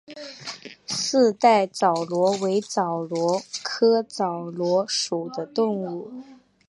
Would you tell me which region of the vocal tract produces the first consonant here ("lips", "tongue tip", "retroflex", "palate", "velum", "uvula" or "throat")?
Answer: tongue tip